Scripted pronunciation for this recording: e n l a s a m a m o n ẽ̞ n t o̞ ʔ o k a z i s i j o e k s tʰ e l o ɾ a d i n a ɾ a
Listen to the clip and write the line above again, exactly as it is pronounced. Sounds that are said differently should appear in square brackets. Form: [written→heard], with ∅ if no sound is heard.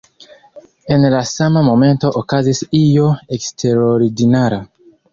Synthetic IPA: e n l a s a m a m o [n→m] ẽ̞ n t o̞ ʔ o k a z i s i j o e k s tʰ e [l→ɾ] o ɾ [a→i] d i n a ɾ a

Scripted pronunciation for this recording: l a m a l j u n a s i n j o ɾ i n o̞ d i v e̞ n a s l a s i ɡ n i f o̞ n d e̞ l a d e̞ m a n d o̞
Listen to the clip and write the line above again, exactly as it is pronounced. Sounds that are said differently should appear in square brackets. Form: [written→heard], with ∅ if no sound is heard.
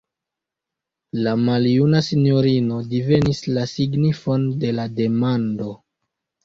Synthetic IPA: l a m a l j u n a s i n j o ɾ i n o̞ d i v e̞ n [a→i] s l a s i ɡ n i f o̞ n d e̞ l a d e̞ m a n d o̞

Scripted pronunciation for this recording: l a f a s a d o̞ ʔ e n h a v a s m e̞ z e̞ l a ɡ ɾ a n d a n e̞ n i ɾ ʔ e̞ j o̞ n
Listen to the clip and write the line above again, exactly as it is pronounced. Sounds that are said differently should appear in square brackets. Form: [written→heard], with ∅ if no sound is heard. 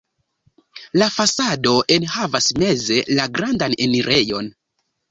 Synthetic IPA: l a f a s a d o̞ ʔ e n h a v a s m e̞ z e̞ l a ɡ ɾ a n d a n e̞ n i ɾ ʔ e̞ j o̞ n

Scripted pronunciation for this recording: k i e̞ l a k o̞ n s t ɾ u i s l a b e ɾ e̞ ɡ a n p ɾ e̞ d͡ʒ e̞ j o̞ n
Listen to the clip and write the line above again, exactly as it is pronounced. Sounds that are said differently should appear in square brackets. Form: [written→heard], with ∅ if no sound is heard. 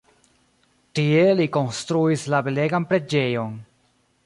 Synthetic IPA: [k→t] i e̞ l [a→i] k o̞ n s t ɾ u i s l a b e [ɾ→l] e̞ ɡ a n p ɾ e̞ d͡ʒ e̞ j o̞ n

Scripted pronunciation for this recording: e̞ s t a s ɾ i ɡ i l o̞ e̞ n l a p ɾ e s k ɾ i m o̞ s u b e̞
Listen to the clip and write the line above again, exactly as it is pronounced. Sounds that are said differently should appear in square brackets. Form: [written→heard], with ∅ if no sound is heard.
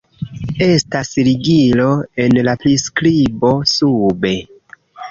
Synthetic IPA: e̞ s t a s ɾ i ɡ i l o̞ e̞ n l a p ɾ [e→i] s k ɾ i [m→b] o̞ s u b e̞

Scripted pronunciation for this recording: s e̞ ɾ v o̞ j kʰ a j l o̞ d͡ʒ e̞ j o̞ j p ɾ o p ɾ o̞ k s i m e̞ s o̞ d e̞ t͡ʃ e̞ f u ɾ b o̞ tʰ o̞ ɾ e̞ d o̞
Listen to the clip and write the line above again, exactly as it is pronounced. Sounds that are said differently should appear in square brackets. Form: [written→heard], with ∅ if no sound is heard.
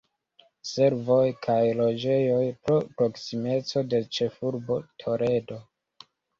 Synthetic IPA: s e̞ ɾ v o̞ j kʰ a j l o̞ d͡ʒ e̞ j o̞ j p ɾ o p ɾ o̞ k s i m e̞ [s→t͡s] o̞ d e̞ t͡ʃ e̞ f u ɾ b o̞ tʰ o̞ ɾ e̞ d o̞

